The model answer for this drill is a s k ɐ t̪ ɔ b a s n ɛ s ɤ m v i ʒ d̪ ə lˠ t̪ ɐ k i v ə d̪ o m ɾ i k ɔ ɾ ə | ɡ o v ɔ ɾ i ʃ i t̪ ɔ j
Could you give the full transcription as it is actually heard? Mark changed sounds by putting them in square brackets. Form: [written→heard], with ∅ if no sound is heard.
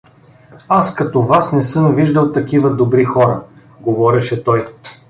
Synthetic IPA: a s k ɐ t̪ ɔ [b→v] a s n ɛ s ɤ m v i ʒ d̪ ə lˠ t̪ ɐ k i v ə d̪ o [m→b] ɾ i [k→x] ɔ ɾ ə | ɡ o v ɔ ɾ [i→ɛ] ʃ [i→ɛ] t̪ ɔ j